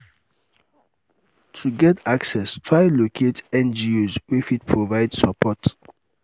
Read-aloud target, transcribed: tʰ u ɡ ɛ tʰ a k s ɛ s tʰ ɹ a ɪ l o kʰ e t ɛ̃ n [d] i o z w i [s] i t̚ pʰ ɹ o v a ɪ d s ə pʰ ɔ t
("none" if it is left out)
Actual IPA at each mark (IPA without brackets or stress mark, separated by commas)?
d͡ʒ, f